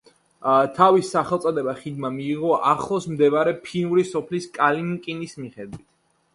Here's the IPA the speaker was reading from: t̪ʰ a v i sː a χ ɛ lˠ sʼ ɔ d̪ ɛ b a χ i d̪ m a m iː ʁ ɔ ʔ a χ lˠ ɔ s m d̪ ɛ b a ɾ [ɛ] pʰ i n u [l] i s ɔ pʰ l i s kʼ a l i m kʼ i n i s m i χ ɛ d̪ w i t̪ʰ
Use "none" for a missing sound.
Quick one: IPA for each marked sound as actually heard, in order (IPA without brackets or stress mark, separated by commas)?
ɛ, ɾ